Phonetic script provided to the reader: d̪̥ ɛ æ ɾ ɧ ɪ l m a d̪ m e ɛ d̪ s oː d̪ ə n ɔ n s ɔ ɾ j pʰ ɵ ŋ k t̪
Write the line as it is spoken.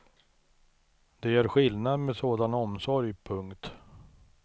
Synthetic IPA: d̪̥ ɛ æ ɾ ɧ ɪ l n a d̪ m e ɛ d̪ s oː d̪ a n ɔ m s ɔ ɾ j pʰ ɵ ŋ k t̪